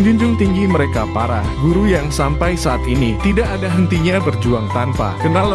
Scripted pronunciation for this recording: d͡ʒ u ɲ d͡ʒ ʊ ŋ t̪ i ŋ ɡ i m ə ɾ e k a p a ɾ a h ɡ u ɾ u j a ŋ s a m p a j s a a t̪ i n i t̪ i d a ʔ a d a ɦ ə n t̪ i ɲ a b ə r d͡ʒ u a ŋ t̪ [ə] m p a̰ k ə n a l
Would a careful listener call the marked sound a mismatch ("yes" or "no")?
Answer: yes